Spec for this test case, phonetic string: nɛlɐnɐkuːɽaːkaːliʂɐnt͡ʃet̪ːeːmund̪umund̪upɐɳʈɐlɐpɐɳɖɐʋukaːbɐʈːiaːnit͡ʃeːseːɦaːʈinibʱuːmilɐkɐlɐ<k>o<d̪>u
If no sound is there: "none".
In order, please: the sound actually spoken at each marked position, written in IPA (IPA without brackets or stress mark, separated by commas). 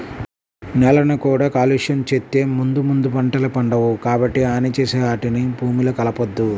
p, d̪ː